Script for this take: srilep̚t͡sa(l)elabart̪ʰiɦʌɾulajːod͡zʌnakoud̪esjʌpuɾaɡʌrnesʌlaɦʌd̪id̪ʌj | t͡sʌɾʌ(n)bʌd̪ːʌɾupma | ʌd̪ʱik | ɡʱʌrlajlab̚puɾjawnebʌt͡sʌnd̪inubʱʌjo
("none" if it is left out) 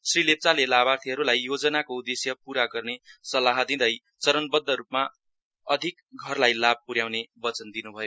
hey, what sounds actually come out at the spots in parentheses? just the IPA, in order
l, n

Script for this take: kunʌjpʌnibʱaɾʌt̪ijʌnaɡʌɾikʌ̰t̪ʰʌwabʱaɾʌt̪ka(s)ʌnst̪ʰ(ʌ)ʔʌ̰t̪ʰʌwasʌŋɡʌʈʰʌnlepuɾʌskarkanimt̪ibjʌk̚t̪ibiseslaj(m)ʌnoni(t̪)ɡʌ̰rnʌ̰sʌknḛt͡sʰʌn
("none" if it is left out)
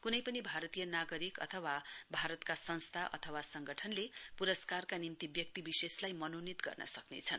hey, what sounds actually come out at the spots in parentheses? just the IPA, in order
s, a, m, t̪

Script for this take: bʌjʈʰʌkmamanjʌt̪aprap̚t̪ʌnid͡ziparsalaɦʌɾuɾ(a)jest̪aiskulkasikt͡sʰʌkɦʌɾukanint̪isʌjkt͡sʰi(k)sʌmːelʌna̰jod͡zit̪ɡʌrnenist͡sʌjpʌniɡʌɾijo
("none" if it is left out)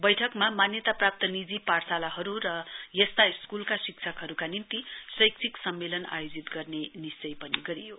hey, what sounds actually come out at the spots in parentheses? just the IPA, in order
ʌ, k

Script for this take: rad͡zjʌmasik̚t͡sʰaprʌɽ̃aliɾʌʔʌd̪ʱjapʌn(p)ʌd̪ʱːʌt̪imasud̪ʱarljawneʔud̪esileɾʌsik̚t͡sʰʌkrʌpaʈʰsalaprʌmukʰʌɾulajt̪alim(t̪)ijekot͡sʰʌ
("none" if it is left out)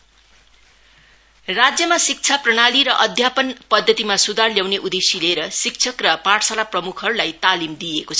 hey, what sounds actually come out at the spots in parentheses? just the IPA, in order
p, d̪

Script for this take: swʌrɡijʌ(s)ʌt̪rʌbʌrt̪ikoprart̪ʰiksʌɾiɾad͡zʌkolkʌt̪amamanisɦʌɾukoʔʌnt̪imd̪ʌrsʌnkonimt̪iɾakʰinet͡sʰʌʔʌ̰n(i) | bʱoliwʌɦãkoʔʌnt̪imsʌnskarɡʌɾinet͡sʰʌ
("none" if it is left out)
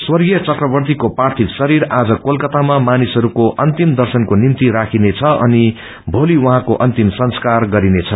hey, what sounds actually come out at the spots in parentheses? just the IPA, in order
t͡s, i

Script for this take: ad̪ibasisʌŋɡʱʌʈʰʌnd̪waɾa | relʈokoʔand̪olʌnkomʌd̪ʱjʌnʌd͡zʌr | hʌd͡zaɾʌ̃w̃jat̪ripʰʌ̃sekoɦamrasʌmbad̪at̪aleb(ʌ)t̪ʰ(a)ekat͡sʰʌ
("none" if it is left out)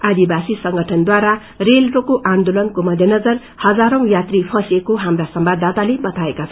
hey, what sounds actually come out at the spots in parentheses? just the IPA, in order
ʌ, a

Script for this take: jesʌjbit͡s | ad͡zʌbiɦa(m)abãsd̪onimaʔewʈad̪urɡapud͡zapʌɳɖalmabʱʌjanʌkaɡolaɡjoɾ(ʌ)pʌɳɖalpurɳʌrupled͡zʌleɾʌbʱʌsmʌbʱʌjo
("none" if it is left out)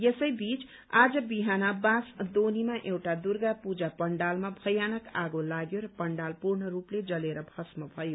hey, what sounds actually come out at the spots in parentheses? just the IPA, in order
n, ʌ

